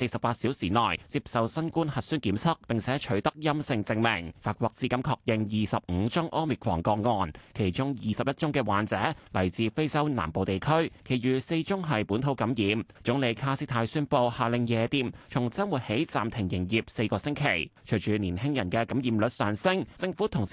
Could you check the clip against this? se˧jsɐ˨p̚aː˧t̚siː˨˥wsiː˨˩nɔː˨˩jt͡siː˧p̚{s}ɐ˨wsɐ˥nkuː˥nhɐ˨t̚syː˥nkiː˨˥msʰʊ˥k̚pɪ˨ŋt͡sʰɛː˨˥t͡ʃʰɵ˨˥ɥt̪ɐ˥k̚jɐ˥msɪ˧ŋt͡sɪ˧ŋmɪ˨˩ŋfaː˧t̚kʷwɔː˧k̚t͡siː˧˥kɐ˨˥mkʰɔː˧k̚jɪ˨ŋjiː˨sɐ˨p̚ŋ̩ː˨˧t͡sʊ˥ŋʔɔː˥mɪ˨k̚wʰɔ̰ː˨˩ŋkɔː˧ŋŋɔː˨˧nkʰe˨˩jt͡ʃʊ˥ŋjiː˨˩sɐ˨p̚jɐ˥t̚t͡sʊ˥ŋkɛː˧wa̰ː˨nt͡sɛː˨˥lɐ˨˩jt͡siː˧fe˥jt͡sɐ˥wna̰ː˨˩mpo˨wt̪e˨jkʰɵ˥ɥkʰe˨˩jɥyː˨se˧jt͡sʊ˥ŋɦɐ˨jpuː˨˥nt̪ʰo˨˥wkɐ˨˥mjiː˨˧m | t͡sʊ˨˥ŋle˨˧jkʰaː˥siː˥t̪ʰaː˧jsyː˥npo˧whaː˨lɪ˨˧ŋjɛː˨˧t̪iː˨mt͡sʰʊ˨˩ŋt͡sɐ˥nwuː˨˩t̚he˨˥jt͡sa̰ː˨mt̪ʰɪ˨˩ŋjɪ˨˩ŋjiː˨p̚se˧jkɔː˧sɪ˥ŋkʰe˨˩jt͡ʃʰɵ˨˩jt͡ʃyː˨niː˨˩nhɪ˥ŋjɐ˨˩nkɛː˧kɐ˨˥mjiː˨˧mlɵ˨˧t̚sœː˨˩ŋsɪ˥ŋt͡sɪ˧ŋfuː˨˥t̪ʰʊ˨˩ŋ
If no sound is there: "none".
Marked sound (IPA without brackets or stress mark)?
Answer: s